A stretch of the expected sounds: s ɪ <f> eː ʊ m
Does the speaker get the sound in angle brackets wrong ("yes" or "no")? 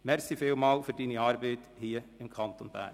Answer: no